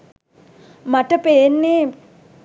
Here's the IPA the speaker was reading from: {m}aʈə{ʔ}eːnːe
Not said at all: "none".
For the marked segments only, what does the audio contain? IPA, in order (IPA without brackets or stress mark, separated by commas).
m, p